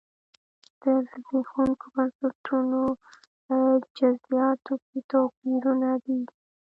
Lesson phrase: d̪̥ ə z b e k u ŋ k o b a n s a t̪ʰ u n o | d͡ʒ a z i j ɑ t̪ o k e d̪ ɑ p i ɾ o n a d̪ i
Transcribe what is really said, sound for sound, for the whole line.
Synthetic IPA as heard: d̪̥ ə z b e x u ŋ k o b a n s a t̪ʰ u n o | d͡ʒ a z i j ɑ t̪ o k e t̪ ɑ p i ɾ u n a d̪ i